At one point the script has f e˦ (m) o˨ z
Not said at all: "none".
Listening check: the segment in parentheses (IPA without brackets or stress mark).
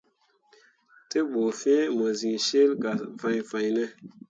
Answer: m